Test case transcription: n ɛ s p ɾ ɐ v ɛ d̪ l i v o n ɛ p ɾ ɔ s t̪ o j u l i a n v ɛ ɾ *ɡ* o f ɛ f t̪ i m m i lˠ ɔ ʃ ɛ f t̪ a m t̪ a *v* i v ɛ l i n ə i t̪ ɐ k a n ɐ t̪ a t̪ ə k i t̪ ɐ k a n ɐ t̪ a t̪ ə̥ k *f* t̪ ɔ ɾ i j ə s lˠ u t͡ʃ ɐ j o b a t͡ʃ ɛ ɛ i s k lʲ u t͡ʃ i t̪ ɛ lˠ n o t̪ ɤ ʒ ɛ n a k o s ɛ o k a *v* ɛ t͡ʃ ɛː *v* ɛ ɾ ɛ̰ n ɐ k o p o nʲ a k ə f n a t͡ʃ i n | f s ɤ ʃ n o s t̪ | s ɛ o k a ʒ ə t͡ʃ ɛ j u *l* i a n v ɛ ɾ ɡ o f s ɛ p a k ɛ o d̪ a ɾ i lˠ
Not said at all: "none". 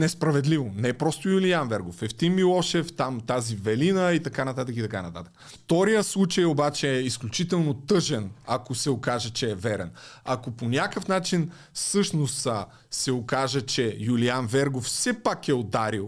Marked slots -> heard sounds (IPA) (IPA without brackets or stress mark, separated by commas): ɡ, z, f, ʒ, v, l